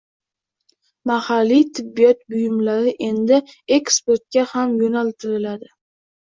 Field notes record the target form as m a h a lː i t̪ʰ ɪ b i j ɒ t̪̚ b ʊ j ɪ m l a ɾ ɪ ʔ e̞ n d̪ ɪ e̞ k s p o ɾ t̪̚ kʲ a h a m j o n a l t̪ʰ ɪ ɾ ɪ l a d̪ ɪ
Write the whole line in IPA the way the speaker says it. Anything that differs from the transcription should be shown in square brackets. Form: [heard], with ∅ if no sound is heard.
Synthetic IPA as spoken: m a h a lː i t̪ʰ ɪ [bː] i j ɒ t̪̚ b ʊ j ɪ m l a ɾ ɪ ʔ e̞ n d̪ ɪ e̞ k s p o ɾ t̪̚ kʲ a h a m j o n a l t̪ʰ ɪ ɾ ɪ l a d̪ ɪ